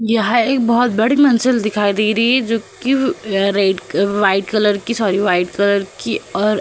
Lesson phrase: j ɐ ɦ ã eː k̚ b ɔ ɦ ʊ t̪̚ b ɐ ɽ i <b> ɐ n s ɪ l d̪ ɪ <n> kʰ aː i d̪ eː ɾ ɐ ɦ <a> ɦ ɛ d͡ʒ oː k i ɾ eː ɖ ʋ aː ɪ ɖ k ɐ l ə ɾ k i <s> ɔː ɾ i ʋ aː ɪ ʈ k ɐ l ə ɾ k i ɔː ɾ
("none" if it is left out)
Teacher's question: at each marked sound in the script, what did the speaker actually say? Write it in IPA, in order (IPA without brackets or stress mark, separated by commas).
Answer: m, none, i, s